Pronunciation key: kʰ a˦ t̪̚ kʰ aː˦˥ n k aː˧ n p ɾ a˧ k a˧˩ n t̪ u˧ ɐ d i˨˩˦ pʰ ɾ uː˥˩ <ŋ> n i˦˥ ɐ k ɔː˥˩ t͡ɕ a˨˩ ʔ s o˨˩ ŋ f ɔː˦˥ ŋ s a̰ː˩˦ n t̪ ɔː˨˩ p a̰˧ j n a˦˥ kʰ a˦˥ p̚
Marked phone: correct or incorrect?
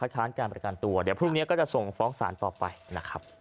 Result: correct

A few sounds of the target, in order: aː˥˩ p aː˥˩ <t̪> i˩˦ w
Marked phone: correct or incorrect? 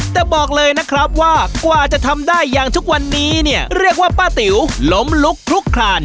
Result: correct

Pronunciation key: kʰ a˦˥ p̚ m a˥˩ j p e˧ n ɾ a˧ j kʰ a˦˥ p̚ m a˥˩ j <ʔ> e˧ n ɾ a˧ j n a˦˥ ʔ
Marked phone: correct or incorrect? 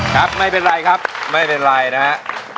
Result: incorrect: p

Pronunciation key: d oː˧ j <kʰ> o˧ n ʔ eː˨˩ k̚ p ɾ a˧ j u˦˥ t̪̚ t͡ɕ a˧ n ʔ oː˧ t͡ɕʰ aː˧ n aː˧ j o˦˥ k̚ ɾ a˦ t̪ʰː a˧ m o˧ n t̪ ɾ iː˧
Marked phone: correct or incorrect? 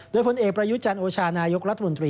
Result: incorrect: pʰ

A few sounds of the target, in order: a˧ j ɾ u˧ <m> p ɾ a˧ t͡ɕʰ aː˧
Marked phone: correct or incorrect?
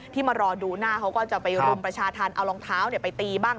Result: correct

